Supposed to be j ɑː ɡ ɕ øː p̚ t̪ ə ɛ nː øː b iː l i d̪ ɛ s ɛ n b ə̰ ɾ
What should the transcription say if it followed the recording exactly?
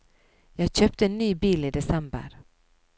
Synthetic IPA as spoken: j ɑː ɡ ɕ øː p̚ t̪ ə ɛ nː yː b iː l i d̪ ɛ s ɛ m b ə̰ ɾ

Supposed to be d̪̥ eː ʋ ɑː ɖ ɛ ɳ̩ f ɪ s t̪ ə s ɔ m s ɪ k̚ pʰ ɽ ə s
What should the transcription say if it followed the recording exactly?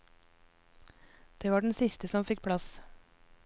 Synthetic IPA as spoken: d̪̥ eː ʋ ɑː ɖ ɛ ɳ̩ s ɪ s t̪ ə s ɔ m f ɪ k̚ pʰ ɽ ɑ s

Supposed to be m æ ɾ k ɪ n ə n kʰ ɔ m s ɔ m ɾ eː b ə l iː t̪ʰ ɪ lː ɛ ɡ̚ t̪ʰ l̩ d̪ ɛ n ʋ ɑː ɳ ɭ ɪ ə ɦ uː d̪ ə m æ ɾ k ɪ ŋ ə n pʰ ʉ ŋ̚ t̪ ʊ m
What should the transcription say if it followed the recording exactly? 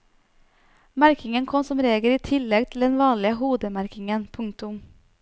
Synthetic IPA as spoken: m æ ɾ k ɪ ŋ ə n kʰ ɔ m s ɔ m ɾ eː ɡ ə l iː t̪ʰ ɪ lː ɛ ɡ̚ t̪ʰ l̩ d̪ ɛ n ʋ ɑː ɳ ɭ ɪ ə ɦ uː d̪ ə m æ ɾ k ɪ ŋ ə n pʰ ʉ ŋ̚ t̪ ʊ m

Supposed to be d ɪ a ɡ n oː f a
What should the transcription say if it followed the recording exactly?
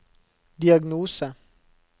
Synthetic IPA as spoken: d i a ɡ n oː s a

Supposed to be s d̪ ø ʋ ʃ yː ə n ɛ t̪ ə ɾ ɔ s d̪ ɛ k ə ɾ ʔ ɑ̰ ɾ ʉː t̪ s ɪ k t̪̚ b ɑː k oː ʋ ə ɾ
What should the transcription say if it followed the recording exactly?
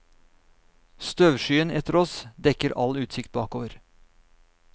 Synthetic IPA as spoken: s t̪ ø ʋ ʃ yː ə n ɛ t̪ ə ɾ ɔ s d̪ ɛ k ə ɾ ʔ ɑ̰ l ʉː t̪ s ɪ k t̪̚ b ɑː k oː ʋ ə ɾ

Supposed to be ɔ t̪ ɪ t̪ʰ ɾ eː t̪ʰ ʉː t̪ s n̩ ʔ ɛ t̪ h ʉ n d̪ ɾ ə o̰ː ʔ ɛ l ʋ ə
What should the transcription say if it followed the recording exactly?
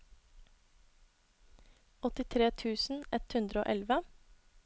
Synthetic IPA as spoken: ɔ t̪ ɪ t̪ʰ ɾ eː t̪ʰ ʉː s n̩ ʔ ɛ t̪ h ʉ n d̪ ɾ ə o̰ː ʔ ɛ l ʋ ə

